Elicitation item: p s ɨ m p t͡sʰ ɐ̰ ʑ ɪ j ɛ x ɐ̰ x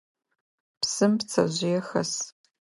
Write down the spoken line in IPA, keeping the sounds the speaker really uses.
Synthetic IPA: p s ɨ m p t͡sʰ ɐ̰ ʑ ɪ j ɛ x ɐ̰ s

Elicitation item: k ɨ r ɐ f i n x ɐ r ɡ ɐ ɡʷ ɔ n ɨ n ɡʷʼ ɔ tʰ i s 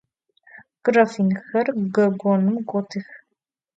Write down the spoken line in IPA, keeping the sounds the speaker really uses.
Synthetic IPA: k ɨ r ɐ f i n x ɐ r ɡ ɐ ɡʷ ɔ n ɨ m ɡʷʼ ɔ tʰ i x

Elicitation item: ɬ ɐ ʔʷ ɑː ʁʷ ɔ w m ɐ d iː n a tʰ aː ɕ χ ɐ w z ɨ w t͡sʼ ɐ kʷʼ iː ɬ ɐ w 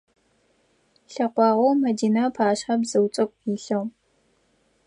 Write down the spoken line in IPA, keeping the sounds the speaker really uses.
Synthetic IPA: ɬ ɐ qʷ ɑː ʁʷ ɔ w m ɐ d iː n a pʰ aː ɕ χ ɐ b z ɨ w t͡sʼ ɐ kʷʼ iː ɬ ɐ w

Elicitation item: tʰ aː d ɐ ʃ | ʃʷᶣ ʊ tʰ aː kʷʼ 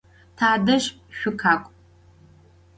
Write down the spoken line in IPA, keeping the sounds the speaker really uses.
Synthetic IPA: tʰ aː d ɐ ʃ | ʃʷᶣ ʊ kʰ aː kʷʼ

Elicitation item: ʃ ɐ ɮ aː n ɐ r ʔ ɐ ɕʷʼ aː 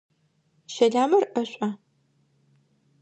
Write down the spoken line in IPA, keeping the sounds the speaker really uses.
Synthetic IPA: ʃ ɐ ɮ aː m ɐ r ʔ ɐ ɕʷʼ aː

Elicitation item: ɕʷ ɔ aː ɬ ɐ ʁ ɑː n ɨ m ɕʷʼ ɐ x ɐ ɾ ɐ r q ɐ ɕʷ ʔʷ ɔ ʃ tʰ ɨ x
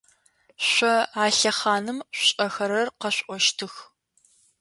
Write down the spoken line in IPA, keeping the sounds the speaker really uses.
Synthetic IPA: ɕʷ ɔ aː ɬ ɐ χ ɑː n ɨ m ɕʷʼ ɐ x ɐ ɾ ɐ r q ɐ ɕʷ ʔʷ ɔ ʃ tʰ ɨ x

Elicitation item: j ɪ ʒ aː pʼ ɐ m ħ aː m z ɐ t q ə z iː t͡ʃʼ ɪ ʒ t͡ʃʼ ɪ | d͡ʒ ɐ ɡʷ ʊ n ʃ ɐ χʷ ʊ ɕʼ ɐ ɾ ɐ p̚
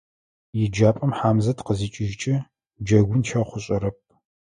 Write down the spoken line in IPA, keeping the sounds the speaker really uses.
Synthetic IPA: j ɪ d͡ʒ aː pʼ ɐ m ħ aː m z ɐ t q ə z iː t͡ʃʼ ɪ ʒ t͡ʃʼ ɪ | d͡ʒ ɐ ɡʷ ʊ n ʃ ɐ χʷ ʊ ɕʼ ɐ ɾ ɐ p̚

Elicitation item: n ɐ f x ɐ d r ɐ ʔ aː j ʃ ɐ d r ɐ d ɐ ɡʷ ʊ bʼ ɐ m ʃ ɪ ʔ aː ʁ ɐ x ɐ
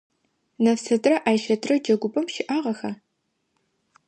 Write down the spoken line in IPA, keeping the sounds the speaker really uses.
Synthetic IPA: n ɐ f s ɐ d r ɐ ʔ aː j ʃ ɐ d r ɐ d͡ʒ ɐ ɡʷ ʊ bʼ ɐ m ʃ ɪ ʔ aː ʁ ɐ x ɐ

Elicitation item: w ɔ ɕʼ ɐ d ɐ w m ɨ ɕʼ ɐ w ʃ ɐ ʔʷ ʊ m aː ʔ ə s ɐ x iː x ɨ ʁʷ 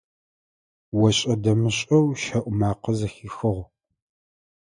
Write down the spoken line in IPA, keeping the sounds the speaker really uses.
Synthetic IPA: w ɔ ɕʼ ɐ d ɐ m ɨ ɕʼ ɐ w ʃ ɐ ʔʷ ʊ m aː q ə z ɐ x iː x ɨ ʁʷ

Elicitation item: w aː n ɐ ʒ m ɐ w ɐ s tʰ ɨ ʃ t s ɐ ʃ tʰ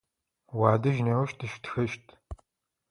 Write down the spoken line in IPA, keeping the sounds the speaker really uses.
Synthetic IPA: w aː d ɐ ʒ n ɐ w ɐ ʃ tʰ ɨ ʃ t x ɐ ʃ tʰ

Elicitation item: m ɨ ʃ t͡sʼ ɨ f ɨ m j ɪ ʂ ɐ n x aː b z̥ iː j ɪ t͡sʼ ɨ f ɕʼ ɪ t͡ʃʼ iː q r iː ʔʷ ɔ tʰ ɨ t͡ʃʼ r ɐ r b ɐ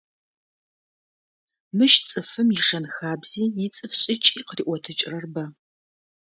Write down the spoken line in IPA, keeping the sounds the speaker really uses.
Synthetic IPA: m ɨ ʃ t͡sʼ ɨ f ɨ m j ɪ ʂ ɐ n x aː b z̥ iː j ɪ t͡sʼ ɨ f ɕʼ ɪ t͡ʃʼ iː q r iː ʔʷ ɔ tʰ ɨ t͡ʃʼ r ɐ r b ɐ

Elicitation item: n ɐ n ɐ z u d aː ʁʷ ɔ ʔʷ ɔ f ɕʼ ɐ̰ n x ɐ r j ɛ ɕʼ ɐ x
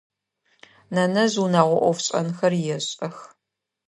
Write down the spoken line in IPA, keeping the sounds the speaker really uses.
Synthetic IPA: n ɐ n ɐ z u n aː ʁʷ ɔ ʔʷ ɔ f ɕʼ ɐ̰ n x ɐ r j ɛ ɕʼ ɐ x

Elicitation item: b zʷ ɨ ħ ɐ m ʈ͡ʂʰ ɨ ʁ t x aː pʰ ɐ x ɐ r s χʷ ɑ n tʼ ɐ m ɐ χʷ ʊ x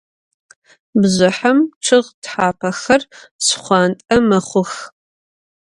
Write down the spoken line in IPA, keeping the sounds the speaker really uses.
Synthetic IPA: b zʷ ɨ ħ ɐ m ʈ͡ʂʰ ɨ ʁ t ħ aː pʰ ɐ x ɐ r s χʷ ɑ n tʼ ɐ m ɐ χʷ ʊ x

